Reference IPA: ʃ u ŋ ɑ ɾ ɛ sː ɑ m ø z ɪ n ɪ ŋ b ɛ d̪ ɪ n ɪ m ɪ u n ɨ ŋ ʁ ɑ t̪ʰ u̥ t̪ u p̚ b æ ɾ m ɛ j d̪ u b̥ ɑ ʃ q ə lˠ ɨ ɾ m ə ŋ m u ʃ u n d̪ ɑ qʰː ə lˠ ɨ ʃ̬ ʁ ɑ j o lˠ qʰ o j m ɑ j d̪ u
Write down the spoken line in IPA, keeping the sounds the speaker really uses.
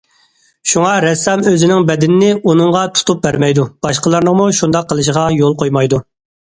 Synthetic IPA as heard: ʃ u ŋ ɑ ɾ ɛ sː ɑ m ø z ɪ n ɪ ŋ b ɛ d̪ ɪ n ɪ n ɪ u n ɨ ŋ ʁ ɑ t̪ʰ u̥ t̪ u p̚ b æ ɾ m ɛ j d̪ u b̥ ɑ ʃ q ə lˠ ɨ ɾ n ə ŋ m u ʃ u n d̪ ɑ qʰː ə lˠ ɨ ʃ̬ ʁ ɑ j o lˠ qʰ o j m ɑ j d̪ u